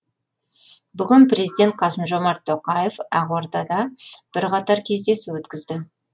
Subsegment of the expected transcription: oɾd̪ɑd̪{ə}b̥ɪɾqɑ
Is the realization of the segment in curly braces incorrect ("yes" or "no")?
yes